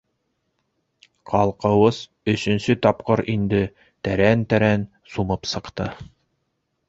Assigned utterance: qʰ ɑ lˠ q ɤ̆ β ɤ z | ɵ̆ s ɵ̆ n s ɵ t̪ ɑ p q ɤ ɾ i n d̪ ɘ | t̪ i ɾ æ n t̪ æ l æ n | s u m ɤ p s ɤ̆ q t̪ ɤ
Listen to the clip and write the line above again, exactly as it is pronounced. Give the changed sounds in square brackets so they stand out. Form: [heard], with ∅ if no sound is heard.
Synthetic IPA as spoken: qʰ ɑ lˠ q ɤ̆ [w] ɤ z | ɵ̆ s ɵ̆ n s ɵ t̪ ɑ p q ɤ ɾ i n d̪ ɘ | t̪ [æ] ɾ æ n t̪ æ [ɾ] æ n | s u m ɤ p s ɤ̆ q t̪ ɤ